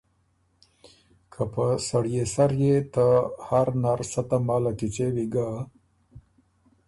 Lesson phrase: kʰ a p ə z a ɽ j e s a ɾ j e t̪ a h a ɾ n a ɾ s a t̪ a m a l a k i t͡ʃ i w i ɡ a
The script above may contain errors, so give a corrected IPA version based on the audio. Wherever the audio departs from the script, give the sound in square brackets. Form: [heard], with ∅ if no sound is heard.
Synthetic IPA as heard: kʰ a p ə [s] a ɽ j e s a ɾ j e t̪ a h a ɾ n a ɾ s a t̪ a m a l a k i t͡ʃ [e] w i ɡ a